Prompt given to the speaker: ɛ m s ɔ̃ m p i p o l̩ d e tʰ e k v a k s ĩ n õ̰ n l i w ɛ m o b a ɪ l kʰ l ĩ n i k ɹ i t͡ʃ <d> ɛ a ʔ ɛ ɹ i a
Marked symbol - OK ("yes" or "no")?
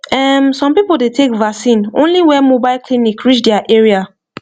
yes